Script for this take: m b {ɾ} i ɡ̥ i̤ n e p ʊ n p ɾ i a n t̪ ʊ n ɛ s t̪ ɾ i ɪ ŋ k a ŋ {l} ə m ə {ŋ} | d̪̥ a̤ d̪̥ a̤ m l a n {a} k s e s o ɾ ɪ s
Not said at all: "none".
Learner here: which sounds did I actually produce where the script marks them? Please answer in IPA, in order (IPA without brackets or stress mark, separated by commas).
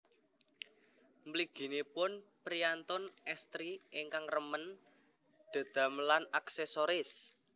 l, r, n, a